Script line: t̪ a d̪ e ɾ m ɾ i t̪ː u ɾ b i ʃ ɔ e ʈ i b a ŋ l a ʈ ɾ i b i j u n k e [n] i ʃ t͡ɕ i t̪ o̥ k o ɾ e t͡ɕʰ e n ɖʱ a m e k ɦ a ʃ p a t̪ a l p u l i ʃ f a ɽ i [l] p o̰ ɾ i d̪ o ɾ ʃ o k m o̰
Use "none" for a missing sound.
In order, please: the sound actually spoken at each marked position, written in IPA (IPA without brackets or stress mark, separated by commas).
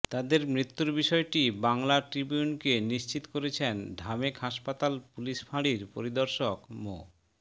n, ɾ